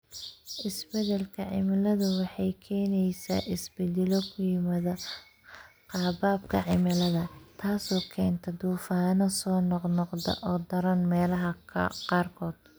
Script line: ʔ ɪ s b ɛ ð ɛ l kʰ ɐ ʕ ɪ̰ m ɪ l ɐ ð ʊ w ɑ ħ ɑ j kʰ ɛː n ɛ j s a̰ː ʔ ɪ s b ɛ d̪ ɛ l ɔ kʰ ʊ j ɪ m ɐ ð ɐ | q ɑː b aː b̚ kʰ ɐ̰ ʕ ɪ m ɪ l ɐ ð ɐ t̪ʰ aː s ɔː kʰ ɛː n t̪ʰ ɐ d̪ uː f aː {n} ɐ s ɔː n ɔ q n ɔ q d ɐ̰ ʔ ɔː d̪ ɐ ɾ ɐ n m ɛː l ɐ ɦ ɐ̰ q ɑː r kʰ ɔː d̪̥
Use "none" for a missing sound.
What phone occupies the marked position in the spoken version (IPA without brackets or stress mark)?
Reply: n